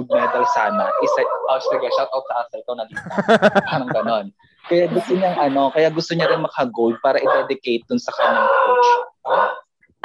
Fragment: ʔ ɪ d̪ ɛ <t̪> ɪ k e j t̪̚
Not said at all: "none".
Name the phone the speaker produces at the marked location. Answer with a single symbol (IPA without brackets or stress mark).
d̪